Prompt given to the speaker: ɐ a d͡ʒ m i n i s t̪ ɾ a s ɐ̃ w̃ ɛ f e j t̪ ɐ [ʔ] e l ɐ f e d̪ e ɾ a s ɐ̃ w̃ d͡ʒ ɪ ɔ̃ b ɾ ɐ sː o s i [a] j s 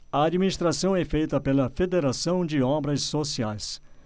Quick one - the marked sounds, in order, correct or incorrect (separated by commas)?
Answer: incorrect, correct